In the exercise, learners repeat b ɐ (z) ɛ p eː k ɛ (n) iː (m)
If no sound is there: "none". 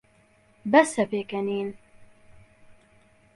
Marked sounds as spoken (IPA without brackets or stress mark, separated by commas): s, n, n